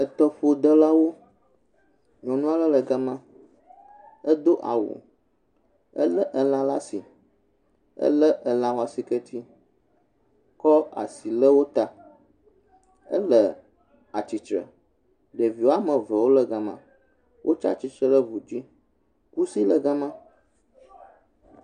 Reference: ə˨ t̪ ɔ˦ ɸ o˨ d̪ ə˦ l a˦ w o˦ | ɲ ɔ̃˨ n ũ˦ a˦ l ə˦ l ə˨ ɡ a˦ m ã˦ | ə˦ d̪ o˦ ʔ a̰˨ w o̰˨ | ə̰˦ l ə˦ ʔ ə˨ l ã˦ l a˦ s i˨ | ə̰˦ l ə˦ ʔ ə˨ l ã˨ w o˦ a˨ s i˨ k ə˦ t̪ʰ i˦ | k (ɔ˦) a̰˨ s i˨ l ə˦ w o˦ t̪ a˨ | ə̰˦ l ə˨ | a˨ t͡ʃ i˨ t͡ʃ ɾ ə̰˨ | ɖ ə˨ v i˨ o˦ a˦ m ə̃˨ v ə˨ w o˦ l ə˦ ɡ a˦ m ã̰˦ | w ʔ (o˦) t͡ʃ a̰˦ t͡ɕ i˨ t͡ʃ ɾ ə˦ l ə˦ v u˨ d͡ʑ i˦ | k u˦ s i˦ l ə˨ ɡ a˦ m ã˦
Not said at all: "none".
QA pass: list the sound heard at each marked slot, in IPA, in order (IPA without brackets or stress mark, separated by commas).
ɔ˦, o˦